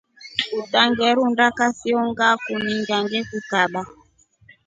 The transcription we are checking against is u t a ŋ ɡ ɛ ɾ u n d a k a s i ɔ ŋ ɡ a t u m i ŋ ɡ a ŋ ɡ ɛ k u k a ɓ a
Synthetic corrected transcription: u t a ŋ ɡ ɛ ɾ u n d a k a s i ɔ ŋ ɡ a k u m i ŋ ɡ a ŋ ɡ ɛ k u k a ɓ a